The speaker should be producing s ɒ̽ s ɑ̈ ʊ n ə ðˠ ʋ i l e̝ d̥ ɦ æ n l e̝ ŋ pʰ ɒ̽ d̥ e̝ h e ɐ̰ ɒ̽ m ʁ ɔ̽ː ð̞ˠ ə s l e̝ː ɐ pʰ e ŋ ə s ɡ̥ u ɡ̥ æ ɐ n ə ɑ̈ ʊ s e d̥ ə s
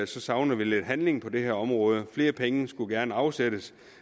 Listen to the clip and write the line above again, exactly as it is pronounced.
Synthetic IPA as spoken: s ɒ̽ s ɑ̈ ʊ n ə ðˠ ʋ i l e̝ d̥ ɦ æ n l e̝ ŋ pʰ ɒ̽ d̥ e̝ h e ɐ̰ ɒ̽ m ʁ ɔ̽ː ð̞ˠ ə f l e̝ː ɐ pʰ e ŋ ə s ɡ̥ u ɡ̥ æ ɐ n ə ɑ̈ ʊ s e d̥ ə s